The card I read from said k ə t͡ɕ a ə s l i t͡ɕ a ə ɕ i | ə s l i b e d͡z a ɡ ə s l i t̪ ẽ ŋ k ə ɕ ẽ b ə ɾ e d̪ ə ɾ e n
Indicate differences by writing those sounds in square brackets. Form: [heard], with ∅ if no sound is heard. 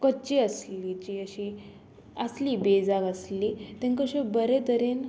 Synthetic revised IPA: k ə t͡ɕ [i] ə s l i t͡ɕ [i] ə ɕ i | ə s l i b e d͡z a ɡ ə s l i t̪ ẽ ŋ k ə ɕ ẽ b ə ɾ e [t̪] ə ɾ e n